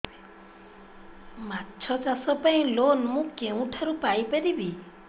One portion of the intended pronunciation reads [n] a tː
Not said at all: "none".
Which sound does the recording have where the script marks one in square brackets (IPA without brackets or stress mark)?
m